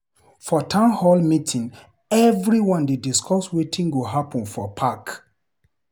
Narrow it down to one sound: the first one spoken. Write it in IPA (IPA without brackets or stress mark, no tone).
f